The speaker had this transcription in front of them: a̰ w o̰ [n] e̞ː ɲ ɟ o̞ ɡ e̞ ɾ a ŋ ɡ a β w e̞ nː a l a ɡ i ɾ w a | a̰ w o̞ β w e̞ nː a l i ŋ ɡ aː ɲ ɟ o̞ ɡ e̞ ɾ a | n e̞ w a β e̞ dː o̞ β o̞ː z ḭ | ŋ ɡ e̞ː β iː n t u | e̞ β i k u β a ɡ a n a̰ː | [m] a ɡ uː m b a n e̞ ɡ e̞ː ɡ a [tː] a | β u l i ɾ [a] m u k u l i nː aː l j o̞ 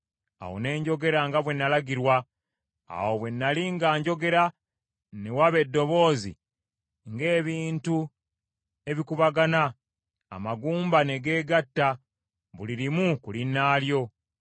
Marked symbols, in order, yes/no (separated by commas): yes, yes, yes, no